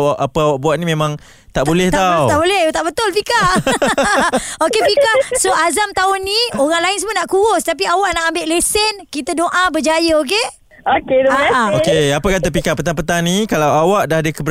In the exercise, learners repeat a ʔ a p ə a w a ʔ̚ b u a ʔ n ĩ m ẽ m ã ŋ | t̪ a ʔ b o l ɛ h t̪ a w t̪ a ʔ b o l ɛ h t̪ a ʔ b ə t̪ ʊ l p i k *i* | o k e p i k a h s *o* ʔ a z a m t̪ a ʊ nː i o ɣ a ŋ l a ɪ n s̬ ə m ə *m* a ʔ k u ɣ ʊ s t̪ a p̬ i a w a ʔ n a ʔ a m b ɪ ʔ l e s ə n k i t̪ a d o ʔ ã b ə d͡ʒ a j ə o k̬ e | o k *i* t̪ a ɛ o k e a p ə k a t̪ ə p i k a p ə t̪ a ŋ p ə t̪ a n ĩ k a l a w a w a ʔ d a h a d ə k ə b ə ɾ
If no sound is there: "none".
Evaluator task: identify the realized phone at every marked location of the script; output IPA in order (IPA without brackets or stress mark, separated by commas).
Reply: a, o, n, e